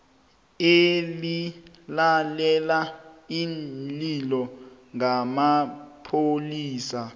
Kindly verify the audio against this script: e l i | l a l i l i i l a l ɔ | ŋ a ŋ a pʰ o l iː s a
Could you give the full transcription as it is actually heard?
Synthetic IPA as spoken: e l i | l a l ɛ l a i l i l ɔ | ŋ a m a pʰ o l iː s a